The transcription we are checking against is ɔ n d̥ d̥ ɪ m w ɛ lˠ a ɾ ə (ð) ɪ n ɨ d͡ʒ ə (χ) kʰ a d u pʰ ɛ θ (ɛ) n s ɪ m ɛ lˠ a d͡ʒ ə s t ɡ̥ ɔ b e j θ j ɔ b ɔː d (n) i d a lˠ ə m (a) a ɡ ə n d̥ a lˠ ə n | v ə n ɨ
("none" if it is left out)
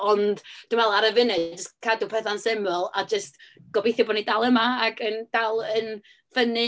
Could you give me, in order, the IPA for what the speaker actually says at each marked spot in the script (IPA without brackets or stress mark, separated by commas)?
v, s, a, n, a